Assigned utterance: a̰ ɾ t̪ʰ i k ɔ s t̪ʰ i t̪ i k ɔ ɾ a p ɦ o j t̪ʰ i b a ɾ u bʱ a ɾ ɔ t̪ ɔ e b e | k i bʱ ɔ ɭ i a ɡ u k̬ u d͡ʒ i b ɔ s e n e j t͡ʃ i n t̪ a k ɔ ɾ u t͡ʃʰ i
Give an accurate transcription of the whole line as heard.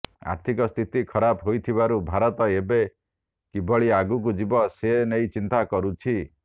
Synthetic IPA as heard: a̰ ɾ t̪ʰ i k ɔ s t̪ʰ i t̪ i kʰ ɔ ɾ a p ɦ o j t̪ʰ i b a ɾ u bʱ a ɾ ɔ t̪ ɔ e b e | k i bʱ ɔ ɭ i a ɡ u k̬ u d͡ʒ i b ɔ s e n e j t͡ʃ i n t̪ a k ɔ ɾ u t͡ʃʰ i

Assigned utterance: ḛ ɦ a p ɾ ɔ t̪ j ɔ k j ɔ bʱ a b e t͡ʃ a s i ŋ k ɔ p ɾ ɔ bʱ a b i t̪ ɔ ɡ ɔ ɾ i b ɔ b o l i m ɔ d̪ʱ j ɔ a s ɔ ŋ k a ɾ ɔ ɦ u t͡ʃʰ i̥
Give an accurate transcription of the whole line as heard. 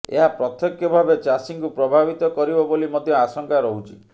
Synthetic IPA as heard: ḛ ɦ a p ɾ ɔ t̪ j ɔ k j ɔ bʱ a b e t͡ʃ a s i ŋ k u p ɾ ɔ bʱ a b i t̪ ɔ k ɔ ɾ i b ɔ b o l i m ɔ d̪ʱ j ɔ a s ɔ ŋ k a ɾ ɔ ɦ u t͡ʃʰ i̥

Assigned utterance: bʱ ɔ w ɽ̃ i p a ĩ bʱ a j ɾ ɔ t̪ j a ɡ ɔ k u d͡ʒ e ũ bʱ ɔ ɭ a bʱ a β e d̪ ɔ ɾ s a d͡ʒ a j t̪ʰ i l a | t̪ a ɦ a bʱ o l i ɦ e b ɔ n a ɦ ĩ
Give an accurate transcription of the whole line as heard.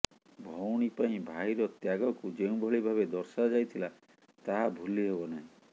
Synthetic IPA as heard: bʱ ɔ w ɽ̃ i p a ĩ bʱ a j ɾ ɔ t̪ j a ɡ ɔ k u d͡ʒ e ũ bʱ ɔ ɭ i bʱ a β e d̪ ɔ ɾ s a d͡ʒ a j t̪ʰ i l a | t̪ a ɦ a bʱ u l i ɦ e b ɔ n a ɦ ĩ

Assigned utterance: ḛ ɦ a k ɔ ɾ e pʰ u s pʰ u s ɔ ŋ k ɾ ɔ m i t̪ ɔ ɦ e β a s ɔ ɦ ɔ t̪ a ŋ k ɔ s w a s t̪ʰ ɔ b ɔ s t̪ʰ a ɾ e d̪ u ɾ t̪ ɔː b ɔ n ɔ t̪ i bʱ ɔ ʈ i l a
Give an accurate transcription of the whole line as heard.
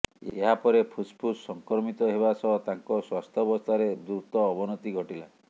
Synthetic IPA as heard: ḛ ɦ a p ɔ ɾ e pʰ u s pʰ u s ɔ ŋ k ɾ ɔ m i t̪ ɔ ɦ e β a s ɔ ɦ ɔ t̪ a ŋ k ɔ s w a s t̪ʰ ɔ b ɔ s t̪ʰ a ɾ e d̪ u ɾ t̪ ɔː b ɔ n ɔ t̪ i ɡʱ ɔ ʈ i l a

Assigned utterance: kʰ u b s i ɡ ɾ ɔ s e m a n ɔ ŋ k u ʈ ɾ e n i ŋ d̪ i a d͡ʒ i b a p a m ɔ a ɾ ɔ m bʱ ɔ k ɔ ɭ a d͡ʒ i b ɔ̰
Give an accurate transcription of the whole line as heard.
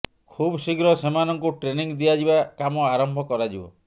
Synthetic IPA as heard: kʰ u b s i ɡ ɾ ɔ s e m a n ɔ ŋ k u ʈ ɾ e n i ŋ d̪ i a d͡ʒ i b a k a m ɔ a ɾ ɔ m bʱ ɔ k ɔ ɾ a d͡ʒ i b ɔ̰

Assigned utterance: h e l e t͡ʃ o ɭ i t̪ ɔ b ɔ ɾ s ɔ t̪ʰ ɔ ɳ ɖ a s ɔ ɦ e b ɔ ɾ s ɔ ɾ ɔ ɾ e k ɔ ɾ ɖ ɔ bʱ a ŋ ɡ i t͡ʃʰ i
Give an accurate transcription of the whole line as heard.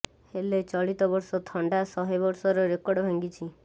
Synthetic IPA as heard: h e l e t͡ʃ ɔ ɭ i t̪ ɔ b ɔ ɾ s ɔ t̪ʰ ɔ ɳ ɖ a s ɔ ɦ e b ɔ ɾ s ɔ ɾ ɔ ɾ e k ɔ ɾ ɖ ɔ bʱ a ŋ ɡ i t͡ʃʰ i

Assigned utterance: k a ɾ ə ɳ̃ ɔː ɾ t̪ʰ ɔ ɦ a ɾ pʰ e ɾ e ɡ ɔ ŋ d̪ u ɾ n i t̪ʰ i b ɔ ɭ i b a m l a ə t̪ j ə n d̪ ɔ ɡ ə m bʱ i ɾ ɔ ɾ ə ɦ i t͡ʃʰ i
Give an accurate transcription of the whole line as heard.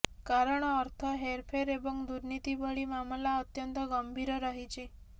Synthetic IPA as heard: k a ɾ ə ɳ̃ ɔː ɾ t̪ʰ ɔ ɦ e ɾ pʰ e ɾ e b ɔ ŋ d̪ u ɾ n i t̪ i b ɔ ɭ i m a m l a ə t̪ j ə n t̪ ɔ ɡ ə m bʱ i ɾ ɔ ɾ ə ɦ i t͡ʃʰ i

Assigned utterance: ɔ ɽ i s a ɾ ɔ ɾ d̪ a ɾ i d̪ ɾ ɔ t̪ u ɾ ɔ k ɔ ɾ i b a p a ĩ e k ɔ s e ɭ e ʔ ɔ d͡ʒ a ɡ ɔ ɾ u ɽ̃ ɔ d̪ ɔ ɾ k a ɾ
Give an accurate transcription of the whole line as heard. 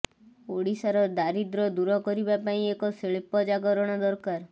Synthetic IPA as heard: o ɽ i s a ɾ ɔ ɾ d̪ a ɾ i d̪ ɾ ɔ d̪ u ɾ ɔ k ɔ ɾ i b a p a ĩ e k ɔ s e ɭ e p ɔ d͡ʒ a ɡ ɔ ɾ ɔ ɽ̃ ɔ d̪ ɔ ɾ k a ɾ

